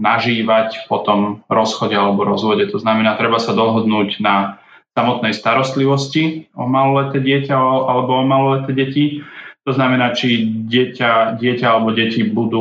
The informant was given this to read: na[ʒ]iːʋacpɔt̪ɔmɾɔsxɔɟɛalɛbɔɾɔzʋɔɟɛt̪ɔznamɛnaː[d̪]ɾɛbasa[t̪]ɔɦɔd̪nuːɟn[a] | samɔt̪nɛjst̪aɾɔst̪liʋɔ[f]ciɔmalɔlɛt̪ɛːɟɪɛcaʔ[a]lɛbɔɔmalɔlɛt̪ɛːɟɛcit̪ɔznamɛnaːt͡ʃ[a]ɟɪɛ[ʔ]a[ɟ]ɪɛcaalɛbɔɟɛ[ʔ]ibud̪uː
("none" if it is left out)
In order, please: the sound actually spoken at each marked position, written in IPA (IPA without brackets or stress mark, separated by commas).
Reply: ʒ, t̪, d̪, a, s, a, i, c, ɟ, c